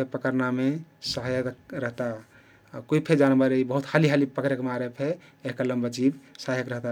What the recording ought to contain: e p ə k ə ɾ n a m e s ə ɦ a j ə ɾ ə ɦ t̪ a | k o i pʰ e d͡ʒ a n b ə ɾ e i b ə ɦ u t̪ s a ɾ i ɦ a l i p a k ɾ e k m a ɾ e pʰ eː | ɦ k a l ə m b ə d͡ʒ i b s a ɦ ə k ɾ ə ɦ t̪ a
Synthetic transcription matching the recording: e p ə k ə ɾ n a m e s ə ɦ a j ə ɾ ə ɦ t̪ a | k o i pʰ e d͡ʒ a n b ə ɾ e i b ə ɦ u t̪ h a l i ɦ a l i p ə k ɾ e k m a ɾ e pʰ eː | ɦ k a l ə m b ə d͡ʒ i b s a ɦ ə k ɾ ə ɦ t̪ a